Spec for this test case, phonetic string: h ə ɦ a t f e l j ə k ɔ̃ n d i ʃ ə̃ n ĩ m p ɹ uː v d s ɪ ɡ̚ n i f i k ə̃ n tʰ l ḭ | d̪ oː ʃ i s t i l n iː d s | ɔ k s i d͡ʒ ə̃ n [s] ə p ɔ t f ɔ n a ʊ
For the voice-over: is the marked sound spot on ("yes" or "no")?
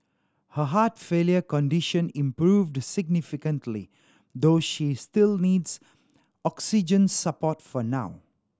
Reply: yes